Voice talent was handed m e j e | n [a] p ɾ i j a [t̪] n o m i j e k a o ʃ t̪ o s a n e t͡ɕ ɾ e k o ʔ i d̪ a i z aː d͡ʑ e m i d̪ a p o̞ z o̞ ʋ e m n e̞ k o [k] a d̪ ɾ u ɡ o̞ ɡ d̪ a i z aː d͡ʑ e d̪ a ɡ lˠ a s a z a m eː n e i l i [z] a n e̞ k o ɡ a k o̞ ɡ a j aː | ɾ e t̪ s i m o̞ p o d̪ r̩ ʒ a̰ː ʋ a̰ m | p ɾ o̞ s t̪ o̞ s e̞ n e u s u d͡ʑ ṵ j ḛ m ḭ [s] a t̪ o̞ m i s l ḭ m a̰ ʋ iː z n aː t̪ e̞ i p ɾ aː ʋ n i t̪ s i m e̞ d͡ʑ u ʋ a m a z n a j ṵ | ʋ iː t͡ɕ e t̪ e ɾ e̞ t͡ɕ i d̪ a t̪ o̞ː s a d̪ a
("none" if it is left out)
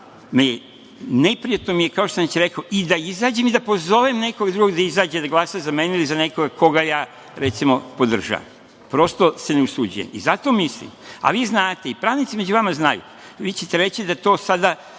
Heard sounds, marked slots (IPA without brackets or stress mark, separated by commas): e, t̪, ɡ, z, z